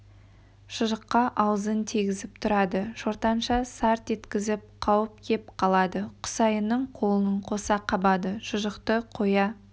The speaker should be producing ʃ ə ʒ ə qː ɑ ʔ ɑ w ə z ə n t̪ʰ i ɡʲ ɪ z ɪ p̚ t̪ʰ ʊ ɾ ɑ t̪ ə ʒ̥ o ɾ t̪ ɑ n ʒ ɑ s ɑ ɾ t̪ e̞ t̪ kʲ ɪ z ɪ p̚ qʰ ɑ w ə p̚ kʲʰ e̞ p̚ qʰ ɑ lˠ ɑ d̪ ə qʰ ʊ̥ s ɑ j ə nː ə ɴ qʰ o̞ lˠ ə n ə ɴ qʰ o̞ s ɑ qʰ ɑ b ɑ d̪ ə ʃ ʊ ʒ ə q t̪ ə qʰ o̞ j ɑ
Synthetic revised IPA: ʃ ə ʒ ə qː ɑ ʔ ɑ w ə z ə n t̪ʰ i ɡʲ ɪ z ɪ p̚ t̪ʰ ʊ ɾ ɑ d̪ ə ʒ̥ o ɾ t̪ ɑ n ʃ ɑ s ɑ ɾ t̪ e̞ t̪ kʲ ɪ z ɪ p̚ qʰ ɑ w ə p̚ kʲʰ e̞ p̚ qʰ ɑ lˠ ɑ d̪ ə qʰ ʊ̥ s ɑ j ə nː ə ɴ qʰ o̞ lˠ ə n ə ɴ qʰ o̞ s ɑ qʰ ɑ b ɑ d̪ ə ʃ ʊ ʒ ə q t̪ ə qʰ o̞ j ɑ